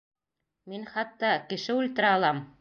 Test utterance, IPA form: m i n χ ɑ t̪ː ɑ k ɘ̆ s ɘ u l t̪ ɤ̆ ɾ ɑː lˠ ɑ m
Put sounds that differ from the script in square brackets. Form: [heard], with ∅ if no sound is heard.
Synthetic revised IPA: m i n χ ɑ t̪ː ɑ k ɘ̆ [ʃ] ɘ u l t̪ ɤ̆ ɾ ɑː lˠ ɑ m